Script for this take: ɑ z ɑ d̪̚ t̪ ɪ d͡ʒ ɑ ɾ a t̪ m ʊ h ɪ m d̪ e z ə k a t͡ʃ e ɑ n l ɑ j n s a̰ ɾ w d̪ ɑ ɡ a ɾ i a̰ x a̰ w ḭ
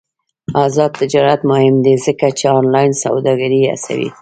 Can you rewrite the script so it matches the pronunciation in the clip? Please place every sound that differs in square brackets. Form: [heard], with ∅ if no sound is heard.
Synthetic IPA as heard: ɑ z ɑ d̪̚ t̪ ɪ d͡ʒ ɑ ɾ a t̪ m ʊ h ɪ m d̪ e z ə k a t͡ʃ e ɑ n l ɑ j n s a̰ [∅] w d̪ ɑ ɡ a ɾ i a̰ [s] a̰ w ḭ